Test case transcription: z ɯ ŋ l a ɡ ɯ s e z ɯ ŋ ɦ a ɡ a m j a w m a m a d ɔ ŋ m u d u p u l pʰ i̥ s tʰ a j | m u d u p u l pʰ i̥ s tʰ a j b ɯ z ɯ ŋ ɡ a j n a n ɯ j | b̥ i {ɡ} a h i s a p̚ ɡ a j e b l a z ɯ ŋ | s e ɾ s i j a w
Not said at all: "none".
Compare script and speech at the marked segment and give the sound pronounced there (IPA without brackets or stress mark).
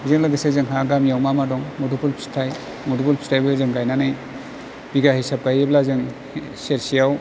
ɡ